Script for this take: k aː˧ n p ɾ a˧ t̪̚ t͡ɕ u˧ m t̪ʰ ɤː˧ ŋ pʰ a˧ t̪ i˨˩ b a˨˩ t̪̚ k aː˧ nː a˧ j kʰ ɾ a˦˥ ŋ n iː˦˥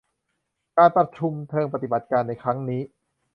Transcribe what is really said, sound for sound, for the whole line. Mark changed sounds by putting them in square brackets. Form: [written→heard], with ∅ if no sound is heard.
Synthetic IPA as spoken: k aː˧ n p ɾ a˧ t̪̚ [t͡ɕ→t͡ɕʰ] u˧ m t̪ʰ ɤː˧ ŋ [pʰ→p] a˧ t̪ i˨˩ b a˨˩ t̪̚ k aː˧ nː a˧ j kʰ ɾ a˦˥ ŋ n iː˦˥